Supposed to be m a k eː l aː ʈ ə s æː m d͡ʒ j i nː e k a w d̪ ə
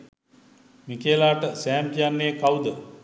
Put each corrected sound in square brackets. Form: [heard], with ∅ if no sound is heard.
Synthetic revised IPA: m [i] k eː l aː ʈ ə s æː m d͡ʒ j [a] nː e k a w d̪ ə